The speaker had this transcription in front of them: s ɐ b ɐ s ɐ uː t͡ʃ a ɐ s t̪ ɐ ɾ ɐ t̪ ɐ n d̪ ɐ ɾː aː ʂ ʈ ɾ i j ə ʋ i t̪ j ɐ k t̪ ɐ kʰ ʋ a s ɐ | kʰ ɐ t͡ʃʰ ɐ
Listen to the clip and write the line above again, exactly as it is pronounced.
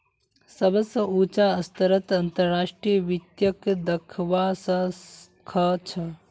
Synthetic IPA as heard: s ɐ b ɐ s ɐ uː t͡ʃ a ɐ s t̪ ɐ ɾ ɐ t̪ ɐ n t̪ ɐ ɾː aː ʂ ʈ ɾ i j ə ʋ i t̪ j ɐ k d̪ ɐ kʰ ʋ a s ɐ | kʰ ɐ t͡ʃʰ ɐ